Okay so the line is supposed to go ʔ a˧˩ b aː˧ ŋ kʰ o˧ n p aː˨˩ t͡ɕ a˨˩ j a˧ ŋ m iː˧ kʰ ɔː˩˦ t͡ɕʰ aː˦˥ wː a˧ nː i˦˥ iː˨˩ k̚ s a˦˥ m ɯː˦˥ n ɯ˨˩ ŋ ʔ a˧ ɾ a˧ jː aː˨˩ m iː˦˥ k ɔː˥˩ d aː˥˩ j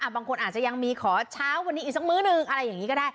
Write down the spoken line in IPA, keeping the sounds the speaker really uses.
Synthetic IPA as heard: ʔ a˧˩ b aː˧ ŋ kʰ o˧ n ʔ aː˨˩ t͡ɕ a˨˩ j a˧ ŋ m iː˧ kʰ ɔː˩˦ t͡ɕʰ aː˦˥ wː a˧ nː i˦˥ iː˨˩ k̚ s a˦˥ m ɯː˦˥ n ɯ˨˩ ŋ ʔ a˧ ɾ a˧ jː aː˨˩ ŋ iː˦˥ k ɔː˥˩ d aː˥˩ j